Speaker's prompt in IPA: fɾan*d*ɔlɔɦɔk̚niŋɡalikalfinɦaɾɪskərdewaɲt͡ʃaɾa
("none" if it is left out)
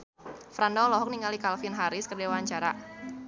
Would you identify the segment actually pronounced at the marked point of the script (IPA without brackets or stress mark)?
d